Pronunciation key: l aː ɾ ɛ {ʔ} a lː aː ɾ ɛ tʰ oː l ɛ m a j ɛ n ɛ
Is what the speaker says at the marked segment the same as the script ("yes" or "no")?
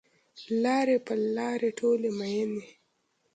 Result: no